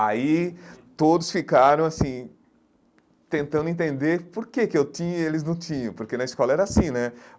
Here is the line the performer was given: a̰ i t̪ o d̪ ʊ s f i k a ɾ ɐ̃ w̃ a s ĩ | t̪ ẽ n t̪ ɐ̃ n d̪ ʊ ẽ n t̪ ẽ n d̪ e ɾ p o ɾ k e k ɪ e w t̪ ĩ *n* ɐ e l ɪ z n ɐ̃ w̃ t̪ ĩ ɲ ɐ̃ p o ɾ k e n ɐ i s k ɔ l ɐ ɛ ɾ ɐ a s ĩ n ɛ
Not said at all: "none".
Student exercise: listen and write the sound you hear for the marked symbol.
ɲ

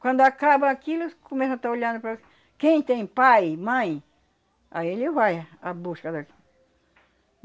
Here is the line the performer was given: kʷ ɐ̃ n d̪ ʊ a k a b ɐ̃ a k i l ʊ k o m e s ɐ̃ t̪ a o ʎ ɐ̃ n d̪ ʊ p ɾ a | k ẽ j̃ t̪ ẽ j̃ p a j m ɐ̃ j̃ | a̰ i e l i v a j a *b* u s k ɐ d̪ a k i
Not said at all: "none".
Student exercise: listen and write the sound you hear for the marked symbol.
b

